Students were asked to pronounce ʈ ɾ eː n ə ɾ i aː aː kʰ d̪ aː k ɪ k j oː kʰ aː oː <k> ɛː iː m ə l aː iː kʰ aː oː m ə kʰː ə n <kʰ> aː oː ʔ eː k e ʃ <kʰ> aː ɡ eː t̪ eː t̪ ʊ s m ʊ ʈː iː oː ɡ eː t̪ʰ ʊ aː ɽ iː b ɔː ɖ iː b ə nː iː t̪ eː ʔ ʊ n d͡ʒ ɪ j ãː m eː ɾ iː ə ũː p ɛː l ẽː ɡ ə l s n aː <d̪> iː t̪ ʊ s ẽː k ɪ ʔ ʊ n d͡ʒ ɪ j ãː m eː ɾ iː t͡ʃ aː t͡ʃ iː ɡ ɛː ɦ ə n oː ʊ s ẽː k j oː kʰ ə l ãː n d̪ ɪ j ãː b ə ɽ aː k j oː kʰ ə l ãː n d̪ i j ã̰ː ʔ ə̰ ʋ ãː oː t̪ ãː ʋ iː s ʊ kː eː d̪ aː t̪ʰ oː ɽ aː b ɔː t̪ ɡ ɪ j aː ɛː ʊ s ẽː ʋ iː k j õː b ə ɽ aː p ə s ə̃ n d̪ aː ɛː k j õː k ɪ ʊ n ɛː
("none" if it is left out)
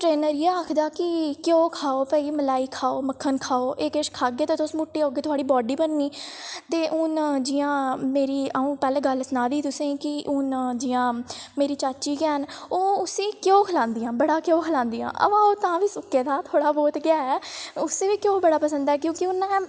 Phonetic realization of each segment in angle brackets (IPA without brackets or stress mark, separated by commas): p, kʰ, kʰ, d̪